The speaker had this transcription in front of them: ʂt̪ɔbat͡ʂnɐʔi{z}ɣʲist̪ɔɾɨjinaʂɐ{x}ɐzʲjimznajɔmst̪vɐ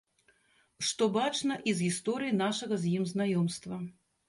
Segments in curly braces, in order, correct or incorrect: correct, incorrect

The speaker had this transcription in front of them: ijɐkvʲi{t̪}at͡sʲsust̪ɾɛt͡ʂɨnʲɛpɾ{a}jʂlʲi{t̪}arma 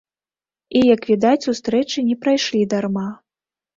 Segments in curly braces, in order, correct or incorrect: incorrect, correct, incorrect

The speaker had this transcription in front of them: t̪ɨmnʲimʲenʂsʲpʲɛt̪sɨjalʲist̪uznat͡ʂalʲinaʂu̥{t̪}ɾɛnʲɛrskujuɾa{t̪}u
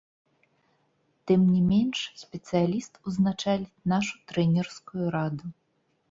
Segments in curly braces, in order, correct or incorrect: correct, incorrect

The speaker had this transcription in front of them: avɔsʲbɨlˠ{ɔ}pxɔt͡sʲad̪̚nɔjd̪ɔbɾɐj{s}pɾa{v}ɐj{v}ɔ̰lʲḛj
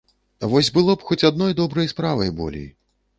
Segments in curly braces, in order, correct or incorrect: correct, correct, correct, incorrect

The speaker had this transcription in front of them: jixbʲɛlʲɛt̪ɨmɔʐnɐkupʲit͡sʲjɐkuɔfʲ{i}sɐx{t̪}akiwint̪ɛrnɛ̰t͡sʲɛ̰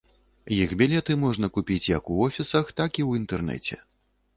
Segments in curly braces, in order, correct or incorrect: correct, correct

